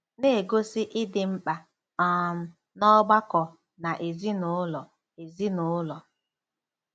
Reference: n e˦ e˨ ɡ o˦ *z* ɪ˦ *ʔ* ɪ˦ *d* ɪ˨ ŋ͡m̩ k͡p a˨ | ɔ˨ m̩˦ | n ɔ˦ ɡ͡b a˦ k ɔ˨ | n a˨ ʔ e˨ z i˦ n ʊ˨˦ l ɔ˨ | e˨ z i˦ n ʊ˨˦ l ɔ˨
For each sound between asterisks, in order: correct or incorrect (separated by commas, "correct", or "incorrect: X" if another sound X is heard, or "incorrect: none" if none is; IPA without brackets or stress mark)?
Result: incorrect: s, correct, correct